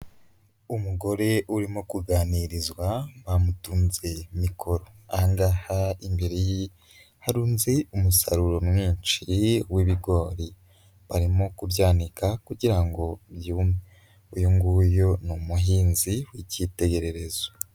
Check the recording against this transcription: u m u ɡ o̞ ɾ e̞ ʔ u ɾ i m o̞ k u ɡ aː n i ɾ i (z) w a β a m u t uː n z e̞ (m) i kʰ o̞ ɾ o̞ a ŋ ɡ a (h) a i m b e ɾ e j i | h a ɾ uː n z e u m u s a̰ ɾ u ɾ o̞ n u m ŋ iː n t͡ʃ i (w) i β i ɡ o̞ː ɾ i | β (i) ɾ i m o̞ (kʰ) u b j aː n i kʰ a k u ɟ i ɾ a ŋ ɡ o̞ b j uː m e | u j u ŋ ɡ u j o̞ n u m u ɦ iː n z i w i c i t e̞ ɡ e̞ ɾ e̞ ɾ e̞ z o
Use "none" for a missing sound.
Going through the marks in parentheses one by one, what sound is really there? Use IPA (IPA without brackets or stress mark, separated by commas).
z, m, h, w, a, k